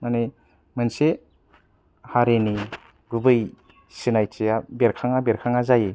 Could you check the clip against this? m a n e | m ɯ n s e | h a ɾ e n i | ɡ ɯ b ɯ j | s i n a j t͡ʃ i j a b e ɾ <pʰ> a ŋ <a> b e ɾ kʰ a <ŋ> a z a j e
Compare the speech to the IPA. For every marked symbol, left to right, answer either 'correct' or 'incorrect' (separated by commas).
incorrect, correct, correct